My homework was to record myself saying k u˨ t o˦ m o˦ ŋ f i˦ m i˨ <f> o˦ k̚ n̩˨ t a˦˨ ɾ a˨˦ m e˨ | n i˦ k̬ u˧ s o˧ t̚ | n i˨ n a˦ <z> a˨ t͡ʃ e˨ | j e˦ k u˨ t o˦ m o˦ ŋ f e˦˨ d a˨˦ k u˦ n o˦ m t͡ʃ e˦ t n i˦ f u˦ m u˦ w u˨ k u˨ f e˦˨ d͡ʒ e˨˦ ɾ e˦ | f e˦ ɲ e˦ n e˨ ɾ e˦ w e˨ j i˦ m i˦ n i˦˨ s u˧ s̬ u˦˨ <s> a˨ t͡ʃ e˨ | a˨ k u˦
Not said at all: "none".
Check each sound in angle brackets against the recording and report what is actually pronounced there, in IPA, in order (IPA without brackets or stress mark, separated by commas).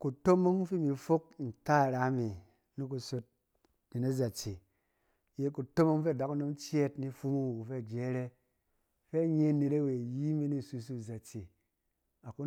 f, z, z